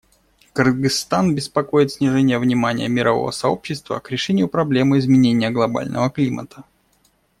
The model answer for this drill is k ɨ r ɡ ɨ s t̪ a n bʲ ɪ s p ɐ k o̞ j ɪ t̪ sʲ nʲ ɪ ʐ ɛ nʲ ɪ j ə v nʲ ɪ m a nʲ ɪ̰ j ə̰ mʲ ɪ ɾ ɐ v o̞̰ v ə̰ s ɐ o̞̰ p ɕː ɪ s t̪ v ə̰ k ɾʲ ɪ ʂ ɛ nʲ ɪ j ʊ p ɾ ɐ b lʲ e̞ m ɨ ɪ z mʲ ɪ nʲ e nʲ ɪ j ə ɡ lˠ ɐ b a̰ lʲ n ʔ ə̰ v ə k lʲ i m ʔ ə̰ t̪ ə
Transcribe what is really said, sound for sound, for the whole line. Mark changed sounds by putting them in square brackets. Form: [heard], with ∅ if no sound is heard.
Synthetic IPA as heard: k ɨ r ɡ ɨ s t̪ a n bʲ ɪ s p ɐ k o̞ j ɪ t̪ sʲ nʲ ɪ ʐ ɛ nʲ ɪ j ə v nʲ ɪ m a nʲ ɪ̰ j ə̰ mʲ ɪ ɾ ɐ v o̞̰ v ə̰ s ɐ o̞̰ p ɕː ɪ s t̪ v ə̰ k ɾʲ ɪ ʂ ɛ nʲ ɪ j ʊ p ɾ ɐ b lʲ e̞ m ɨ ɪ z mʲ ɪ nʲ e nʲ ɪ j ə ɡ lˠ ɐ b a̰ lʲ n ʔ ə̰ v ə k lʲ i m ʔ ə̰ t̪ ə